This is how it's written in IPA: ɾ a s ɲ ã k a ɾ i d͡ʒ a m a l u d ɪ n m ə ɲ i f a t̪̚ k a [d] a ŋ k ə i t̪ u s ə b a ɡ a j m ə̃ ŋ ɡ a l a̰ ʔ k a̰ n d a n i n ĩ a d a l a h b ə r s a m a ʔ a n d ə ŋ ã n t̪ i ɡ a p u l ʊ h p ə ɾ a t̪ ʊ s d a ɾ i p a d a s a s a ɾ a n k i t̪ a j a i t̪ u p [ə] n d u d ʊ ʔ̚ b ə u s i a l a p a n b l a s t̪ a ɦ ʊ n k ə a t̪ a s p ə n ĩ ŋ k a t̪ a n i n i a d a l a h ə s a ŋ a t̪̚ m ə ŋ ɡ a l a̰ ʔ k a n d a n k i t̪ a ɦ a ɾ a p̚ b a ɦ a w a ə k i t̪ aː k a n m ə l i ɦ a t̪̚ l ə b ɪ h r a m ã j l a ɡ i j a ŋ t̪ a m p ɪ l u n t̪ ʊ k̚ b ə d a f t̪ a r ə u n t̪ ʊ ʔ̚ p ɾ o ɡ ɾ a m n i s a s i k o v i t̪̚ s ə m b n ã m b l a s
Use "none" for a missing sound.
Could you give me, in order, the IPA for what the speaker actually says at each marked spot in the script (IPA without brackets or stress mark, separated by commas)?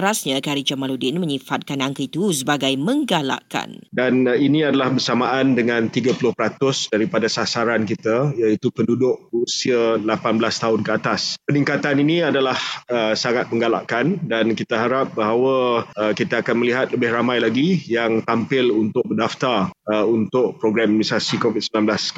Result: n, ə